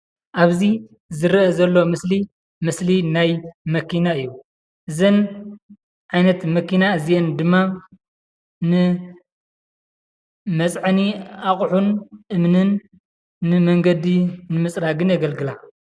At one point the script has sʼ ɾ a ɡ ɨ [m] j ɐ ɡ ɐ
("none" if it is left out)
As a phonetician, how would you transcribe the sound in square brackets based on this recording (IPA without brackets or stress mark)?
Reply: n